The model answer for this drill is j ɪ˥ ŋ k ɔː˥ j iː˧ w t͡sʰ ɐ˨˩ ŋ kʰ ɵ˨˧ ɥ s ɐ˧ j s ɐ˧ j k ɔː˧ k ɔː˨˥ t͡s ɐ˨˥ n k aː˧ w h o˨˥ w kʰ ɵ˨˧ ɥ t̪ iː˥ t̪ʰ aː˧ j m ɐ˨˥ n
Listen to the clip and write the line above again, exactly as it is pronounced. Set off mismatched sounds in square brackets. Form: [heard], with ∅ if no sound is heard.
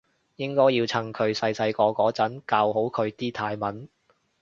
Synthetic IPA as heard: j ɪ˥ ŋ k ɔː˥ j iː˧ w t͡sʰ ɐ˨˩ ŋ kʰ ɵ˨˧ ɥ s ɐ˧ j s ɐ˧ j k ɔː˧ k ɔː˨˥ t͡s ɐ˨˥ n k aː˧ w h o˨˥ w kʰ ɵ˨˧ ɥ t̪ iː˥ t̪ʰ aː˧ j m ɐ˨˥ n

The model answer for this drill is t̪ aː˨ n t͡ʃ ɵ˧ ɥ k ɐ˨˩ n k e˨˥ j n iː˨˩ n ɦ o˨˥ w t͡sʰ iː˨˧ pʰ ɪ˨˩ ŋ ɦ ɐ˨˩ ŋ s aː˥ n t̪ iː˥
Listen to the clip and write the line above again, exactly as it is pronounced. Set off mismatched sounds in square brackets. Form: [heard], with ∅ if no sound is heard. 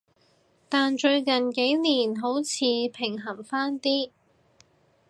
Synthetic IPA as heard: t̪ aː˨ n t͡ʃ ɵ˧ ɥ k ɐ˨˩ n k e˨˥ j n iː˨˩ n ɦ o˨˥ w t͡sʰ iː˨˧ pʰ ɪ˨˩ ŋ ɦ ɐ˨˩ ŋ [f] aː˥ n t̪ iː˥

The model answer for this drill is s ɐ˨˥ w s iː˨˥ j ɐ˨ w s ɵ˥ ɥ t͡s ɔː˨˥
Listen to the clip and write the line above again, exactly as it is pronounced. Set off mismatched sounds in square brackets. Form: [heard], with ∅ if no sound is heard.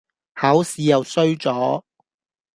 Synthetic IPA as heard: [h] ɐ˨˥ w s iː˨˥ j ɐ˨ w s ɵ˥ ɥ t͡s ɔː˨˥

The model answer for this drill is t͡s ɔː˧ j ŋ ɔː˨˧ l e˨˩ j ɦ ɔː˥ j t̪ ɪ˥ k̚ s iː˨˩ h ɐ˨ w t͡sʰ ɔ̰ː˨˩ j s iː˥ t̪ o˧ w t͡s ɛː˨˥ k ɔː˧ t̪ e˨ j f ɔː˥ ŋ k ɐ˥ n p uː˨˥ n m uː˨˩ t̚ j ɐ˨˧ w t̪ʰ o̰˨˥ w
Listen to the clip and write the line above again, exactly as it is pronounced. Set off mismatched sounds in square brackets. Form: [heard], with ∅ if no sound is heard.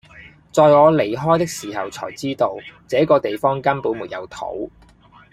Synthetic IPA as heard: t͡s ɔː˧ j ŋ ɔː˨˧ l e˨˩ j ɦ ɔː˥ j t̪ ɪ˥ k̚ s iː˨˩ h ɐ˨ w t͡sʰ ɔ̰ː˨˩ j [t͡s] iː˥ t̪ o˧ w t͡s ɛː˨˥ k ɔː˧ t̪ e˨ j f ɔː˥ ŋ k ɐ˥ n p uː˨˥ n m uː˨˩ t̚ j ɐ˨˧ w t̪ʰ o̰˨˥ w

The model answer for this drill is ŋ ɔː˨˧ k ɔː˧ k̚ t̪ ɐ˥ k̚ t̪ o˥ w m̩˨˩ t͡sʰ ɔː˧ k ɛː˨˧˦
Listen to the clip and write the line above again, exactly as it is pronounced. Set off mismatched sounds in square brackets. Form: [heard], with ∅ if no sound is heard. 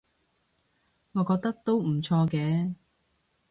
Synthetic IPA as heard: ŋ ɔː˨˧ k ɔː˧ k̚ t̪ ɐ˥ k̚ t̪ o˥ w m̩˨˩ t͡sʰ ɔː˧ k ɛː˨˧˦

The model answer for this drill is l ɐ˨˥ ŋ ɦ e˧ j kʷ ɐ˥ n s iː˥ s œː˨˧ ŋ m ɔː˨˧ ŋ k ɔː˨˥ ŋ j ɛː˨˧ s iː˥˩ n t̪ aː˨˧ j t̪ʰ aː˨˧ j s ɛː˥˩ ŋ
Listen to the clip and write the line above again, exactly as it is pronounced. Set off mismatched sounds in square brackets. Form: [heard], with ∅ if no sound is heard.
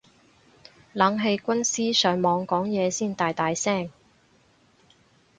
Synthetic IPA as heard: l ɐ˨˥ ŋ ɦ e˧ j kʷ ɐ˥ n s iː˥ s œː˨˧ ŋ m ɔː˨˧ ŋ k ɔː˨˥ ŋ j ɛː˨˧ s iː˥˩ n t̪ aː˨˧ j [t̪] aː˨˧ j s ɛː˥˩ ŋ

